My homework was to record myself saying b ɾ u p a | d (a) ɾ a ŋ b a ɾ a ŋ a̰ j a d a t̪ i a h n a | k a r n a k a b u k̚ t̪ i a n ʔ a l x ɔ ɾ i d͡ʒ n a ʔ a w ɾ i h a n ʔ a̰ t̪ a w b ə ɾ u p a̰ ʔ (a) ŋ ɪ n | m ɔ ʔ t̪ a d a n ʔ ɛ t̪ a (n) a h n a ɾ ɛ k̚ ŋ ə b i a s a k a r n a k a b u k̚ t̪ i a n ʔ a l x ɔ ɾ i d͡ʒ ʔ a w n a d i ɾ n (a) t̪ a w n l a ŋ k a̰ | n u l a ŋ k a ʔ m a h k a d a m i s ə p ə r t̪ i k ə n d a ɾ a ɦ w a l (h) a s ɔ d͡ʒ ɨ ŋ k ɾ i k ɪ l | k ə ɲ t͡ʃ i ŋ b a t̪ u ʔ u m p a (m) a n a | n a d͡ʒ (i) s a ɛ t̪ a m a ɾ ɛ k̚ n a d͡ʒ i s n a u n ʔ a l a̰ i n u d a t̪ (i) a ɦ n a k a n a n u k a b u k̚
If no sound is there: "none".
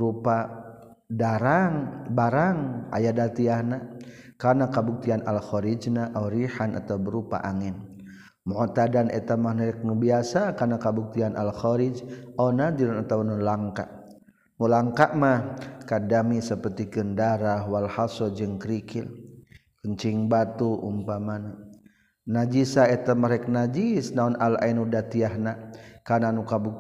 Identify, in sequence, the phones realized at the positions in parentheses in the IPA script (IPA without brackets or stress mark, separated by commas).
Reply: a, a, m, a, h, m, i, i